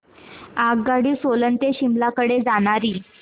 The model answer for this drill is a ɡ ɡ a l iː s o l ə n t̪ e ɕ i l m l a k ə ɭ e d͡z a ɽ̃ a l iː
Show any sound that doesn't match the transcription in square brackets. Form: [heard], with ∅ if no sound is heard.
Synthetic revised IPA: a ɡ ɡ a [ɽ] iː s o l ə n t̪ e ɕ i [∅] m l a k ə [ɽ] e d͡z a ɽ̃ a [ɾ] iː